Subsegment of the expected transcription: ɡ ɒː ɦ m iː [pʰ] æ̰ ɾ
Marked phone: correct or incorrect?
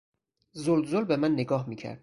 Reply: incorrect